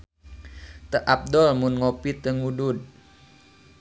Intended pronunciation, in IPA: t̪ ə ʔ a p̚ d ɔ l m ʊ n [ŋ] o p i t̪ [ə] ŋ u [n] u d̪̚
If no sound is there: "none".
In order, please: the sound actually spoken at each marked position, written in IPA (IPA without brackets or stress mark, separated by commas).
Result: ŋ, ə, d